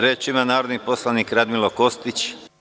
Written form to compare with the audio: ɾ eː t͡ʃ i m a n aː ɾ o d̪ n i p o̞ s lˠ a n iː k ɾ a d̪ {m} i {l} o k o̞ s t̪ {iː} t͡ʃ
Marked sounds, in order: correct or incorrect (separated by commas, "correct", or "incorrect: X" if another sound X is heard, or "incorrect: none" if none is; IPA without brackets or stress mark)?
correct, correct, incorrect: i